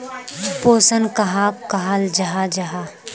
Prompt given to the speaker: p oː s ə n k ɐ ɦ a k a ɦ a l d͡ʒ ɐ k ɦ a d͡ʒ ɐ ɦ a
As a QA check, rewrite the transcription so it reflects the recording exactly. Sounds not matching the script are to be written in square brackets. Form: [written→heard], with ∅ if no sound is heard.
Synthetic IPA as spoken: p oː s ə n k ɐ ɦ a k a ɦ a l d͡ʒ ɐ [k→∅] ɦ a d͡ʒ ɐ ɦ a